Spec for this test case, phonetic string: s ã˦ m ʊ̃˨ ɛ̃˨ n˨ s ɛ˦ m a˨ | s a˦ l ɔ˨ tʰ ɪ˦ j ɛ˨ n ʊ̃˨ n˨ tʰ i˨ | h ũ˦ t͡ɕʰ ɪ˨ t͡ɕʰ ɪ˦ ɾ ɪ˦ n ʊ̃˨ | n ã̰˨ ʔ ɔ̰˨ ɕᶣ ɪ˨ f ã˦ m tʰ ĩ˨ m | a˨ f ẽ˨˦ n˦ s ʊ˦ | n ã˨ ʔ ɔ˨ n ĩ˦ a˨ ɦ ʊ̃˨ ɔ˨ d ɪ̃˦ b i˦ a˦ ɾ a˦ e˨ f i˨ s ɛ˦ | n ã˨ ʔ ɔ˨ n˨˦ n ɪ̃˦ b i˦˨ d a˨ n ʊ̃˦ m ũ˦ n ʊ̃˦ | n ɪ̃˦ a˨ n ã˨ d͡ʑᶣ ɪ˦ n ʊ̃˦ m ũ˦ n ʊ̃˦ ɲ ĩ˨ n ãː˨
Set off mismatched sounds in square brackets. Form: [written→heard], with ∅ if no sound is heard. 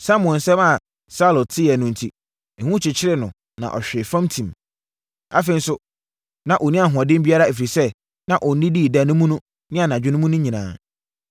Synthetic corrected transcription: s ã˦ m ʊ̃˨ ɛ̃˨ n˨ s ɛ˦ m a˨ | s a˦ l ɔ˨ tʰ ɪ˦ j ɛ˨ n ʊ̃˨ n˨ tʰ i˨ | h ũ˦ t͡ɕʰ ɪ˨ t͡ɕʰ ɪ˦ ɾ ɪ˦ n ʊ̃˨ | n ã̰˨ ʔ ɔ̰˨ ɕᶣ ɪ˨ f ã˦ m tʰ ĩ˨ m | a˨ f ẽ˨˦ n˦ s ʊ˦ | n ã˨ ʔ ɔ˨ n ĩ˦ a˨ ɦ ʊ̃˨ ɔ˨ d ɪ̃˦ b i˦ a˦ ɾ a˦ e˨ f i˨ s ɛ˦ | n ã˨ ʔ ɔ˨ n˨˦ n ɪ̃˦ [b→d] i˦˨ d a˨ n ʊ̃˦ m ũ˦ n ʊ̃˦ | n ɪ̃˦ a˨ n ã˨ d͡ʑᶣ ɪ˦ n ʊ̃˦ m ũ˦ n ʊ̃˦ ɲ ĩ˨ n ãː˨